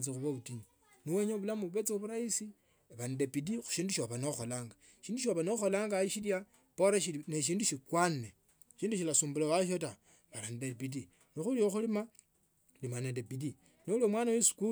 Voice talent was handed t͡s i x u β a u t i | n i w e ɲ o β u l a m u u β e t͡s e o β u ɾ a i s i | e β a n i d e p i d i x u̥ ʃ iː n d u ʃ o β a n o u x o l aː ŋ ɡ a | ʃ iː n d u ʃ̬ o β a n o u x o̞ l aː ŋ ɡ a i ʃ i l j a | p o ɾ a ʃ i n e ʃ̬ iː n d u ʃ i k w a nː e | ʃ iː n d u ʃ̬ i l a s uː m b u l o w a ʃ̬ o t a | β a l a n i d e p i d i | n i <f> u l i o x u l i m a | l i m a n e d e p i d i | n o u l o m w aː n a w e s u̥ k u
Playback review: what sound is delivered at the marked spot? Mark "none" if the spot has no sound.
x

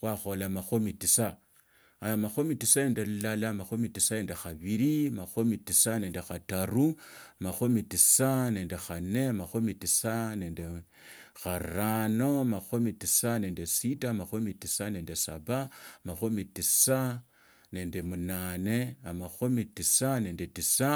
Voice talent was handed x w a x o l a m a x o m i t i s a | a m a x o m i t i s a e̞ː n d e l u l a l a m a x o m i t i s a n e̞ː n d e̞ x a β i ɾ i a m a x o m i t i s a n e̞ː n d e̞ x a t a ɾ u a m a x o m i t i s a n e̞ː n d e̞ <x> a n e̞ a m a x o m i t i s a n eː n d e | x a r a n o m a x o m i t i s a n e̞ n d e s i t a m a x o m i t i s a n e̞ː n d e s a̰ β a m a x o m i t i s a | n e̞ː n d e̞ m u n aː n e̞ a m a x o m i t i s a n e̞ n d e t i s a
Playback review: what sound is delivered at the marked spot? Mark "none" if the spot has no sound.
x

